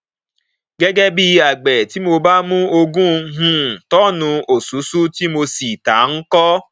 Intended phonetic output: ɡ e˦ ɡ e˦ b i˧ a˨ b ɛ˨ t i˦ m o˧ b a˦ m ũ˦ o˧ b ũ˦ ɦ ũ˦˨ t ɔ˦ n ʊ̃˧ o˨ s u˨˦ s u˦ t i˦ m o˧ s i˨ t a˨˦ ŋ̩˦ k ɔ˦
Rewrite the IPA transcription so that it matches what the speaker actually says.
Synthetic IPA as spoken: ɡ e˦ ɡ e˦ b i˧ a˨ ɡ͡b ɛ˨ t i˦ m o˧ b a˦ m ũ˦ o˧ ɡ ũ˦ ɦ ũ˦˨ t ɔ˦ n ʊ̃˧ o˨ s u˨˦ s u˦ t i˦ m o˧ s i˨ t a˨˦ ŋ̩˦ k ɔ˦